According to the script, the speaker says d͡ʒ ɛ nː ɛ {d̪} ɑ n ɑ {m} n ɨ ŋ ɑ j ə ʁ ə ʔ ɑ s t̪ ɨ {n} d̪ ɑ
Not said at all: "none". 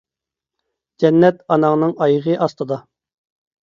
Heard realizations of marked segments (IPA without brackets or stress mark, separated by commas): t̪, ŋ, none